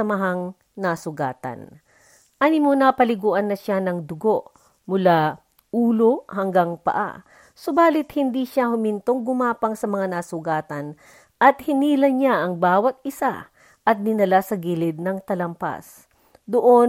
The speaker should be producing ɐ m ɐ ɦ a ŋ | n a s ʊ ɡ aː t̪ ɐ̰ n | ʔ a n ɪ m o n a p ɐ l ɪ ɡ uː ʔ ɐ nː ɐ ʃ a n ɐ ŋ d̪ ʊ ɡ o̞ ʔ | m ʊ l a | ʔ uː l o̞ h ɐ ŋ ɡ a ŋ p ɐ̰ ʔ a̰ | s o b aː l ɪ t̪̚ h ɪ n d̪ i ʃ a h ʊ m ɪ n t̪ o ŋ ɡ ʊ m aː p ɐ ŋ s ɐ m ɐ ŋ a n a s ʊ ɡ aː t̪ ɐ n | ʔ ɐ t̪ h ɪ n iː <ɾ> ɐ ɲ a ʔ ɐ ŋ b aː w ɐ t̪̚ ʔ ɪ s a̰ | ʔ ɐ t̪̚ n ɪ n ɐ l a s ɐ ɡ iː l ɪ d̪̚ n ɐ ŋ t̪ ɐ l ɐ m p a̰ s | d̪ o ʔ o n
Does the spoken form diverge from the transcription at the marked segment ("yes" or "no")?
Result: yes